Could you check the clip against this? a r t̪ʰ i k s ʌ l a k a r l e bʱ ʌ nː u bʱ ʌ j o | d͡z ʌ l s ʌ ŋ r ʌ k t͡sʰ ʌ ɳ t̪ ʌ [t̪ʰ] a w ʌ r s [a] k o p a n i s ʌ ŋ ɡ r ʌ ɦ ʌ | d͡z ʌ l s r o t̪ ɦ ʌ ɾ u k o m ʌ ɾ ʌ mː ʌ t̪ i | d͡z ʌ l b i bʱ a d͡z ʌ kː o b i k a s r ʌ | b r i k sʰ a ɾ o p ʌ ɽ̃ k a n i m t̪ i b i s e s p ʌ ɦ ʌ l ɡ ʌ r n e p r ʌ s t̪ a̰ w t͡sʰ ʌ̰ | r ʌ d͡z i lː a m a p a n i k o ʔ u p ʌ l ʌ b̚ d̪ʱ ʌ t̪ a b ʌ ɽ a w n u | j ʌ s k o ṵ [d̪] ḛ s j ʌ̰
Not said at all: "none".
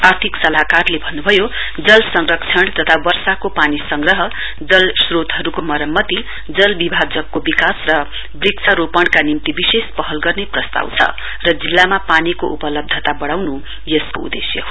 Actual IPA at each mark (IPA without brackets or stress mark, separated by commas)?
t̪ʰ, a, d̪